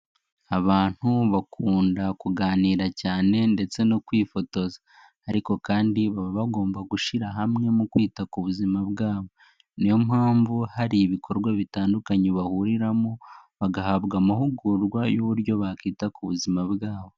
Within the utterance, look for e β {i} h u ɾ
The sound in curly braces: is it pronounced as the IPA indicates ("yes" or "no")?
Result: no